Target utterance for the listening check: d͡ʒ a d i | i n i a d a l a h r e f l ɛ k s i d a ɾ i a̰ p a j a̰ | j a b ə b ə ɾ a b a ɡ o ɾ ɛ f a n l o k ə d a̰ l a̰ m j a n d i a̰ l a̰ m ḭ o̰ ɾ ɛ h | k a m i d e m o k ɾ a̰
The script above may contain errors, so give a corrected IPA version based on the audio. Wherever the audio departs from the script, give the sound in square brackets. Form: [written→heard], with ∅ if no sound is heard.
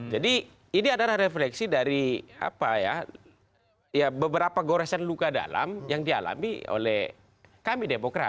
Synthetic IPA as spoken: d͡ʒ a d i | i n i a d a l a h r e f l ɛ k s i d a ɾ i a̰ p a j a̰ | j a b ə b ə ɾ a [b→p] a ɡ o ɾ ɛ [f→s] a n l [o→u] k [ə→a] d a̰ l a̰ m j a [n→ŋ] d i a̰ l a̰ m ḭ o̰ [ɾ→l] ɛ h | k a m i d e m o k ɾ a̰